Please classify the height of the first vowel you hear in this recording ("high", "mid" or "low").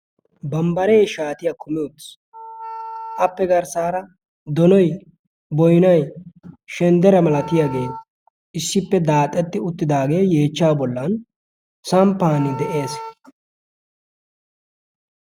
low